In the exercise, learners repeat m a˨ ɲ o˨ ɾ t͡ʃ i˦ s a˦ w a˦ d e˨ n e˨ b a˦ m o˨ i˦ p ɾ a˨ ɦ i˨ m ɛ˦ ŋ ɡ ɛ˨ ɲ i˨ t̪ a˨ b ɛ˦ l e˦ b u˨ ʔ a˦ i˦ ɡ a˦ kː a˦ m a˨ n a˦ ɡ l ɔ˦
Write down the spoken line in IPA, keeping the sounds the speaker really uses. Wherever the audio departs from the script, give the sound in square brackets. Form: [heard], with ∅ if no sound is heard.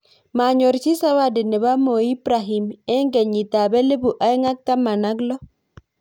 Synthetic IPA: m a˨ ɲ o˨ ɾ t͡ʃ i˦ s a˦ w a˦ d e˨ n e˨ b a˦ m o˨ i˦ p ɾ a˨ ɦ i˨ m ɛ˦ ŋ ɡ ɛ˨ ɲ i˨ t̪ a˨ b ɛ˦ l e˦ b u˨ ʔ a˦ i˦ [ŋ] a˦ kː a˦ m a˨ n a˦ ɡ l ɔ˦